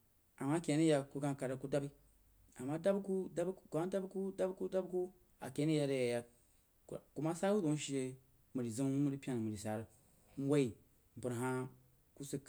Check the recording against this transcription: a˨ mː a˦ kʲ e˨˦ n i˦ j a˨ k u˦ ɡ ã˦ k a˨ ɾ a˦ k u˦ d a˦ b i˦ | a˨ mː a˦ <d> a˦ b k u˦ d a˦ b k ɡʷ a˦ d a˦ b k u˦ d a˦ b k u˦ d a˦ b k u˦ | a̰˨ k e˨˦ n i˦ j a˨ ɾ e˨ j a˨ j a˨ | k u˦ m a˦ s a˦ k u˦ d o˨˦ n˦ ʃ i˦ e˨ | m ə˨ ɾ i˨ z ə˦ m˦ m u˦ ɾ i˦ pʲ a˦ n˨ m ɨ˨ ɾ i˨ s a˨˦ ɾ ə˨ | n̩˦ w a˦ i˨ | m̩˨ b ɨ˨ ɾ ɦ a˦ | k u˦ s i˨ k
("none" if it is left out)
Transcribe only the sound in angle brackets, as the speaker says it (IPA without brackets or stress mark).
d